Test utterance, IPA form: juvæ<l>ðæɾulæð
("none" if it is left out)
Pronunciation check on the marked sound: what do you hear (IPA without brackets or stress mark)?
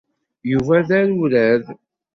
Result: none